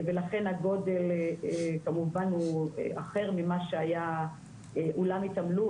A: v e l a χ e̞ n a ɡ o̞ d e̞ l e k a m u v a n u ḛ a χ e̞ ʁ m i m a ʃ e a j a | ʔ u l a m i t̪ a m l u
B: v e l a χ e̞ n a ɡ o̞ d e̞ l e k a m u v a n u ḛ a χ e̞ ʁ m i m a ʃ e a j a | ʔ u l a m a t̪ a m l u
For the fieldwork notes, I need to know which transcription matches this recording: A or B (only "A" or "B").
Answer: A